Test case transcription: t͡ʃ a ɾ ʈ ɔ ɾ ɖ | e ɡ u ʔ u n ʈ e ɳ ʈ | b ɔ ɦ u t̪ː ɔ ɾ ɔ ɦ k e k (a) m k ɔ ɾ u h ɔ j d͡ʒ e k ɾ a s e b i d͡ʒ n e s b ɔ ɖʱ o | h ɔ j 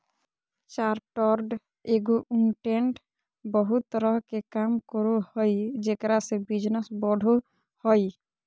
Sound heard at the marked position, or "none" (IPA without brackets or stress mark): a